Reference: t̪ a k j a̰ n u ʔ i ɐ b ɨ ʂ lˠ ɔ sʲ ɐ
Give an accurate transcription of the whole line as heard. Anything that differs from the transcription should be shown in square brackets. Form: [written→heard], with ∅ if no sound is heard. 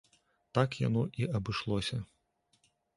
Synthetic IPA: t̪ a k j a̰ n [u→ɔ] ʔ i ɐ b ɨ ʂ lˠ ɔ sʲ ɐ